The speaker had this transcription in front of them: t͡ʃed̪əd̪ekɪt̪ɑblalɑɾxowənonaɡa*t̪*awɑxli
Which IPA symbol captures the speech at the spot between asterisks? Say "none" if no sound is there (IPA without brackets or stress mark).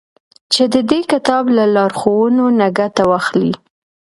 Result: t̪